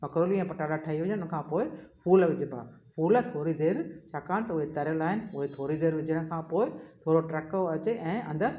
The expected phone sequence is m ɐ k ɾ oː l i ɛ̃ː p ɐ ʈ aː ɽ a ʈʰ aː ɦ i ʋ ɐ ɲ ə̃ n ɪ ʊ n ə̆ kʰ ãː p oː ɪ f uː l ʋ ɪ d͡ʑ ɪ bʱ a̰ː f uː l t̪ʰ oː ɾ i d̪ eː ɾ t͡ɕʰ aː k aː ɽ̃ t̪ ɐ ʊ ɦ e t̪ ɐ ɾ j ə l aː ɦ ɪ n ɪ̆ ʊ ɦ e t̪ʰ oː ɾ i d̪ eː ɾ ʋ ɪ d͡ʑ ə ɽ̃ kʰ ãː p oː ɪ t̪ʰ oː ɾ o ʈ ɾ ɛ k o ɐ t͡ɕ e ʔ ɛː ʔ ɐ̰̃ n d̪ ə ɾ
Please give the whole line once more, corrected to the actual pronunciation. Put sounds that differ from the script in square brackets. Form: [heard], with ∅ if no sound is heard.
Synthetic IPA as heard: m ɐ k ɾ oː l i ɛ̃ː p ɐ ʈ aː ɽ a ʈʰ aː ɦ i ʋ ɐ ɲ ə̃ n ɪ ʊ n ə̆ kʰ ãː p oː ɪ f uː l ʋ ɪ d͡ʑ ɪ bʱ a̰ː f uː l t̪ʰ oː ɾ i d̪ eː ɾ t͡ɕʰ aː k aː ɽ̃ t̪ ɐ ʊ ɦ e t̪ ɐ ɾ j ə l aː ɦ ɪ n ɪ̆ ʊ ɦ e t̪ʰ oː ɾ i d̪ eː ɾ ʋ ɪ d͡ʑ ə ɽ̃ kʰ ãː p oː ɪ t̪ʰ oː ɾ o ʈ ɾ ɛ k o ɐ t͡ɕ e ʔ [ɛ̃ː] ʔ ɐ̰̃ n d̪ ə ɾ